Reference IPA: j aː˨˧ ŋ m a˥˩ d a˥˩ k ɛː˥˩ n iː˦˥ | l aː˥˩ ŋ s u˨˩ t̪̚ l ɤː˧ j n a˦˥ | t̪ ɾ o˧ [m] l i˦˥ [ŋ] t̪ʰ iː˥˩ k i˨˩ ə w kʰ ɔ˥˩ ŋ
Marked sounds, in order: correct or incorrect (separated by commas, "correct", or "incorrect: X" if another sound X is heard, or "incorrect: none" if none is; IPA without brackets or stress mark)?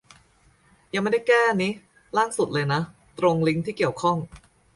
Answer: incorrect: ŋ, correct